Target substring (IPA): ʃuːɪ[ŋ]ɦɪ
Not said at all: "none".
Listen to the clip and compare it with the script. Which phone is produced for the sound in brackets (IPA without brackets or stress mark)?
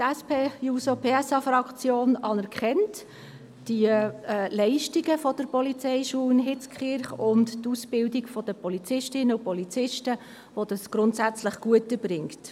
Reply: n